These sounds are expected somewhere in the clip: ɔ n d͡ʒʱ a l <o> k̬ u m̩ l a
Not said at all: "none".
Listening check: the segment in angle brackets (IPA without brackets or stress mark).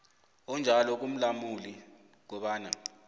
ɔ